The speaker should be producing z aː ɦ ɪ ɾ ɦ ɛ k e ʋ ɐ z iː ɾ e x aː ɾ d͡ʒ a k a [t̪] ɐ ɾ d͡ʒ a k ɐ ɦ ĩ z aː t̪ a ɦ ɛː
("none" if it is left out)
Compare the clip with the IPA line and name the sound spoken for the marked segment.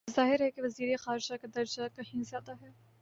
d̪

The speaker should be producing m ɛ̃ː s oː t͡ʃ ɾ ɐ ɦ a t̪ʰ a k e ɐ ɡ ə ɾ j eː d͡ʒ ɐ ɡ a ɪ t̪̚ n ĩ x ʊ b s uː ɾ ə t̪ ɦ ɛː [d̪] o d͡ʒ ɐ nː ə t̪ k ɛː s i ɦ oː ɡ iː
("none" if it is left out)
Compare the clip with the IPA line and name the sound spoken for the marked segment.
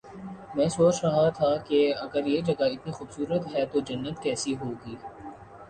t̪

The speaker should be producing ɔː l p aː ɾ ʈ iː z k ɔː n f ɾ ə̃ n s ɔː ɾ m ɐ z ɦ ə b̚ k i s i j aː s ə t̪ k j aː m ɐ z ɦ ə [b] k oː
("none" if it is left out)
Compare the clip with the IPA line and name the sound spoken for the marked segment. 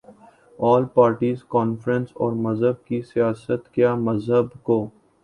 b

